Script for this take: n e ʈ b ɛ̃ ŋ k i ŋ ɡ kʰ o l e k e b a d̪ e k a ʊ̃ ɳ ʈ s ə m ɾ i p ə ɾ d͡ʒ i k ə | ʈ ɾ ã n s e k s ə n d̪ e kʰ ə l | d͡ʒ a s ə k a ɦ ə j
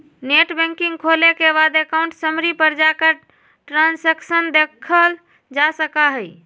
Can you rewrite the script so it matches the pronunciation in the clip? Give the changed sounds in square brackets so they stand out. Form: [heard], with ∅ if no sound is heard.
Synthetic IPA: n e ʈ b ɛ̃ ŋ k i ŋ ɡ kʰ o l e k e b a d̪ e k a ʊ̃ ɳ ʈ s ə m ɾ i p ə ɾ d͡ʒ [a] k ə | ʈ ɾ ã n s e k s ə n d̪ e kʰ ə l | d͡ʒ a s ə k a ɦ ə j